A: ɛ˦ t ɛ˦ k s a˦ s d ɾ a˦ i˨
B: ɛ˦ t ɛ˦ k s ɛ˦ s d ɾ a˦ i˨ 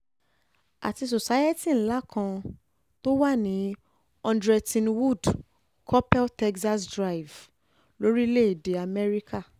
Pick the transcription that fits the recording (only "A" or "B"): A